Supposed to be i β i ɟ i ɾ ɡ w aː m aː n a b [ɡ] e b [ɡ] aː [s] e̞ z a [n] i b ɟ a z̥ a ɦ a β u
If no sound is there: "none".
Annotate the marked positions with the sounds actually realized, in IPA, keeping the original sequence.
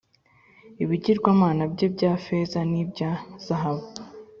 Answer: ɟ, ɟ, f, n

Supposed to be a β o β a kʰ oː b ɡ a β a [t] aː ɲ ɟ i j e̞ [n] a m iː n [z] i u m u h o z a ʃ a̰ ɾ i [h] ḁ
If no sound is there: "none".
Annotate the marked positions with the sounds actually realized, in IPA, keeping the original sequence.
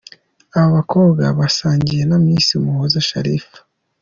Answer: s, n, s, f

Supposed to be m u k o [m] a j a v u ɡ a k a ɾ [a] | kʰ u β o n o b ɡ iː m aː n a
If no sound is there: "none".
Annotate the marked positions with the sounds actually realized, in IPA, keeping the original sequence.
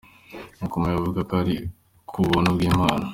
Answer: m, i

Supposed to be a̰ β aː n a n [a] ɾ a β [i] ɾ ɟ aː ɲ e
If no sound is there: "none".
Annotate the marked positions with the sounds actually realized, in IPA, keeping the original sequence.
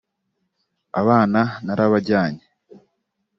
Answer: a, a

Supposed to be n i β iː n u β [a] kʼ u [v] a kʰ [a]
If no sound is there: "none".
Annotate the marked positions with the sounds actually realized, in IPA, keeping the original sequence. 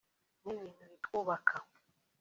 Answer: i, β, a

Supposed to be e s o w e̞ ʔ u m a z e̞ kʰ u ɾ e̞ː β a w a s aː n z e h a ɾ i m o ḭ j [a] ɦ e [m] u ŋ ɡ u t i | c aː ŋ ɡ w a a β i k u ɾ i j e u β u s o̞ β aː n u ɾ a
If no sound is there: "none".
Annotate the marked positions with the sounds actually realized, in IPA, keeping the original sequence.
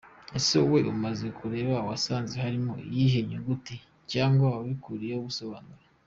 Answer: i, ɲ

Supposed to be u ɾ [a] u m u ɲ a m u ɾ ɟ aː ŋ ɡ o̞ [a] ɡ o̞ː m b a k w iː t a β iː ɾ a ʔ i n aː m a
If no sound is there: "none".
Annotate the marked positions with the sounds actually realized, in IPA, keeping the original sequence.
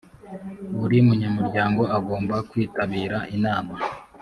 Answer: i, a

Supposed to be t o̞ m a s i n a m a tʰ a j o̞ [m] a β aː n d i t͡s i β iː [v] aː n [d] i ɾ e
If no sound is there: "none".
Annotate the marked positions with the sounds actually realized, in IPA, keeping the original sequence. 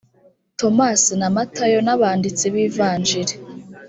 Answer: n, v, d͡ʒ

